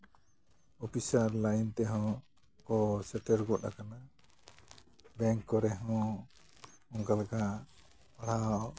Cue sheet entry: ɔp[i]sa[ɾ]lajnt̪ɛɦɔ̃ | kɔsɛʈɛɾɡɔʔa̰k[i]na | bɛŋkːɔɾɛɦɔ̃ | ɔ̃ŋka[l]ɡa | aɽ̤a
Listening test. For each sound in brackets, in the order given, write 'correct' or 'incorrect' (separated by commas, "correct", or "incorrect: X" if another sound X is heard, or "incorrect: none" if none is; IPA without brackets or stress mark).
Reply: correct, correct, incorrect: a, correct